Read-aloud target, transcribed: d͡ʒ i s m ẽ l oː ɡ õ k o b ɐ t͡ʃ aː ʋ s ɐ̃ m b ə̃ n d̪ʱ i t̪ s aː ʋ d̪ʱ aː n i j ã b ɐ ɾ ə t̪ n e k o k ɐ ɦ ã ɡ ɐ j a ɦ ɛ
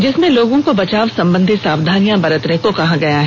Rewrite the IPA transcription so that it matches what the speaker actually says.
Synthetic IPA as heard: d͡ʒ ɪ s m ẽ l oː ɡ õ k o b ɐ t͡ʃ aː ʋ s ɐ̃ m b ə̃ n d̪ʱ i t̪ s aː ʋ d̪ʱ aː n i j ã b ɐ ɾ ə t̪ n e k o k ɐ ɦ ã ɡ ɐ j a ɦ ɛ